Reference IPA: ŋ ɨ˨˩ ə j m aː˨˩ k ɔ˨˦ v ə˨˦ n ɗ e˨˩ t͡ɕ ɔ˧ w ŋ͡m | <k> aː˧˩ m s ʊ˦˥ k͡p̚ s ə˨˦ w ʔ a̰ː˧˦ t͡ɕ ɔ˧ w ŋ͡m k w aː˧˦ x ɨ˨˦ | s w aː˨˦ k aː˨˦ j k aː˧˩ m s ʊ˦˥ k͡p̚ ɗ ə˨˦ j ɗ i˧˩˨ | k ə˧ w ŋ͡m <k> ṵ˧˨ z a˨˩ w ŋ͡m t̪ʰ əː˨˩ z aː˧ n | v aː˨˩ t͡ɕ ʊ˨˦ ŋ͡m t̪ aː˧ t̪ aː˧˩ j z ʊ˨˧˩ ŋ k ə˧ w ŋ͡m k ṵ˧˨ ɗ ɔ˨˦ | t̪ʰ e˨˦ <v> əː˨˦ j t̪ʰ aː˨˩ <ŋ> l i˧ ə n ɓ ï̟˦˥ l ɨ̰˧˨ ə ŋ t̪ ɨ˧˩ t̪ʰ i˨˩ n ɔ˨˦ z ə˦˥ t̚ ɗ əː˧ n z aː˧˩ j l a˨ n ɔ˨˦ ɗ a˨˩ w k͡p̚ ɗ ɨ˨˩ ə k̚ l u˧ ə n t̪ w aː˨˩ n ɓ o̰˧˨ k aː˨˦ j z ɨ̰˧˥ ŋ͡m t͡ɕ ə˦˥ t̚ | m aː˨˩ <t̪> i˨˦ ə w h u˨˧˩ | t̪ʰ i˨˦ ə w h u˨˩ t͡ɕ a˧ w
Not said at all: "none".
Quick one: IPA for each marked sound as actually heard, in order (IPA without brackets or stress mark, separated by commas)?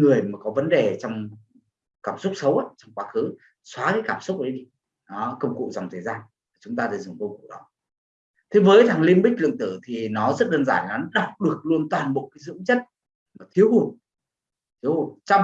k, k, v, ŋ, t̪ʰ